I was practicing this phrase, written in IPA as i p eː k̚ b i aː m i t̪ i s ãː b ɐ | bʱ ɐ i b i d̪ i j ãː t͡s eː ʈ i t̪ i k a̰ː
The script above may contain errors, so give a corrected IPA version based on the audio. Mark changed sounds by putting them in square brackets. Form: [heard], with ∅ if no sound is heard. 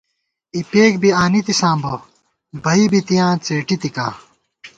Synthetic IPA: i p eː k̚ b i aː [n] i t̪ i s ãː b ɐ | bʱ ɐ i b i [t̪] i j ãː t͡s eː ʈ i t̪ i k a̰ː